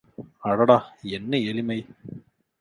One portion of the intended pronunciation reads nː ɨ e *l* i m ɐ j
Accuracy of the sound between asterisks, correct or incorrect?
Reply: correct